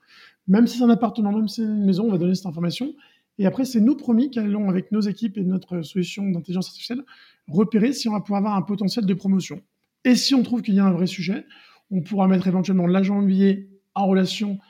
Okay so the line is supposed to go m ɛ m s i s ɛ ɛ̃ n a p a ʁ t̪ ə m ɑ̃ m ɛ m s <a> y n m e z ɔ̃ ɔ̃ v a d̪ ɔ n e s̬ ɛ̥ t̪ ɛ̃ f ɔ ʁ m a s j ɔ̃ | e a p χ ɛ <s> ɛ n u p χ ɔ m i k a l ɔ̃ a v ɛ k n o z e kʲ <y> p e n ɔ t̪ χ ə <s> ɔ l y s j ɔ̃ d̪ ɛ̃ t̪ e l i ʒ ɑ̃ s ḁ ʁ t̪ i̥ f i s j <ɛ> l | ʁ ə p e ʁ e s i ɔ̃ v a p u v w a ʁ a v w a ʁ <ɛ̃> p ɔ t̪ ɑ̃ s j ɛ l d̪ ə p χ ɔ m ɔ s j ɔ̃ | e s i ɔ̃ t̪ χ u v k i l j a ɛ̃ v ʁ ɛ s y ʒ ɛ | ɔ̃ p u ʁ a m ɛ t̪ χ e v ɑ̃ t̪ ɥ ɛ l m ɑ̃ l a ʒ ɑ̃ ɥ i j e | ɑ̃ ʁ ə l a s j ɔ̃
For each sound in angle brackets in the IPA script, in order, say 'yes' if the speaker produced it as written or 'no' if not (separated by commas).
no, yes, no, yes, yes, yes